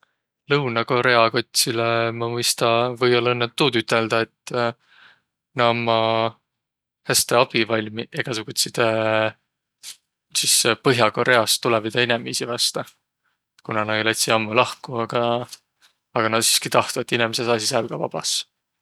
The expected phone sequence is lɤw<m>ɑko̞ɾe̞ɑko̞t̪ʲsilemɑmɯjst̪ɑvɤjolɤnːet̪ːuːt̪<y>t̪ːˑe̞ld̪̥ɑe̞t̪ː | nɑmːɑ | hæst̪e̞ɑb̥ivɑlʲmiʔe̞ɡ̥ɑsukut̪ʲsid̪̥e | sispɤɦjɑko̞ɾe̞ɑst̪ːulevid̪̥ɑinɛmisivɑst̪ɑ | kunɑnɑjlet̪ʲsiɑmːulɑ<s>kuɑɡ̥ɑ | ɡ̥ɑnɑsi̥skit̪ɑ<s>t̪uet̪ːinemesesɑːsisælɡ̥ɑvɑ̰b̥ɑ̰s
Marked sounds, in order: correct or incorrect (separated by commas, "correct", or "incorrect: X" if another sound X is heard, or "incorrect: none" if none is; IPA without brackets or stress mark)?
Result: incorrect: n, correct, incorrect: h, incorrect: h